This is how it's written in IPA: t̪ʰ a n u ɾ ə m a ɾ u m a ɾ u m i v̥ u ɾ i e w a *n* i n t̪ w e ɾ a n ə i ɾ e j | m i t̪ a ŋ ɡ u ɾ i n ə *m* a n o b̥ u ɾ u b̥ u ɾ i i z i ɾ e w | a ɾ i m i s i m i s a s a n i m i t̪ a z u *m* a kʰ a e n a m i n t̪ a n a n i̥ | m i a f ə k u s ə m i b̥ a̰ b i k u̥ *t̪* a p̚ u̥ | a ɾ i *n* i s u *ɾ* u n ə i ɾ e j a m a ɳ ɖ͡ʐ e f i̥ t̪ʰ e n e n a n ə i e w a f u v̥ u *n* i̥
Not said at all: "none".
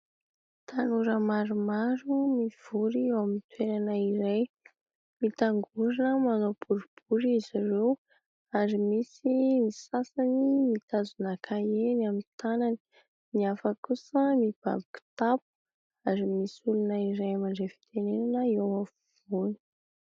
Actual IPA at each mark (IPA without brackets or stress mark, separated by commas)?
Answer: m, m, n, t̪, m, l, n